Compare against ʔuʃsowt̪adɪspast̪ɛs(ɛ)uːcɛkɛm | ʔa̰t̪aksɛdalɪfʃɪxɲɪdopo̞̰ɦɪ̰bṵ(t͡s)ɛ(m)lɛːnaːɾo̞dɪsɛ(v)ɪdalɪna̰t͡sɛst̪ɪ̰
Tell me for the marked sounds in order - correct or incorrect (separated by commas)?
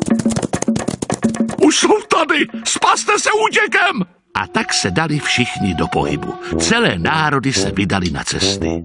correct, correct, incorrect, correct